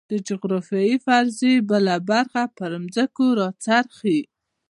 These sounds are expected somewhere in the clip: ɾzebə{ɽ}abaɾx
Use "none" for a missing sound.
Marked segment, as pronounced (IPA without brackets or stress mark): l